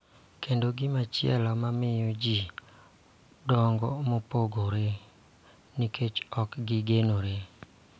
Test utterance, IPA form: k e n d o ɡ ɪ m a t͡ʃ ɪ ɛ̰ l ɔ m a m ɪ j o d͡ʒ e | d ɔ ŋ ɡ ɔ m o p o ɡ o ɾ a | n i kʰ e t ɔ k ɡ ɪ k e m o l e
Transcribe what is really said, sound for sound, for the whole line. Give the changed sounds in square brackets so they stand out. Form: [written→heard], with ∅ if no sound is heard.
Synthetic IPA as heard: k e n d o ɡ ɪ m a t͡ʃ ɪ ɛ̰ l ɔ m a m ɪ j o d͡ʒ [e→i] | d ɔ ŋ ɡ ɔ m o p o ɡ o ɾ [a→e] | n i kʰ e [t→t͡ʃ] ɔ k ɡ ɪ [k→ɡ] e [m→n] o [l→ɾ] e